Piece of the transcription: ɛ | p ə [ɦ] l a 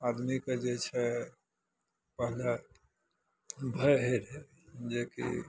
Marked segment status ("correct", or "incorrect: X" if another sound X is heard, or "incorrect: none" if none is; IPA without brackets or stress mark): correct